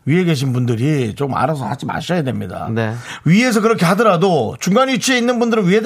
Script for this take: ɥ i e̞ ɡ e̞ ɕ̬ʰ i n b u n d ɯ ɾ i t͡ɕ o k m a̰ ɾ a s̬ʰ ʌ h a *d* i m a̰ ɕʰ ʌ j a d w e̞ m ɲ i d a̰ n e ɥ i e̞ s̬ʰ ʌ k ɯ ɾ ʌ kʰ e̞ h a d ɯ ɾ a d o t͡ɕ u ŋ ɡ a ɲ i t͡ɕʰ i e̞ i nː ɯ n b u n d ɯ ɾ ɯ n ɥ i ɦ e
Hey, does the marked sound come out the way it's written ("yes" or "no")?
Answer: no